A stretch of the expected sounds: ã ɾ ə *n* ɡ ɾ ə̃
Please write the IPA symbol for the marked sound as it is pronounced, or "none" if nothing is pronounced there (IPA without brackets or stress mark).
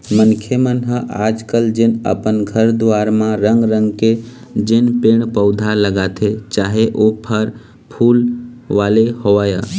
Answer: ŋ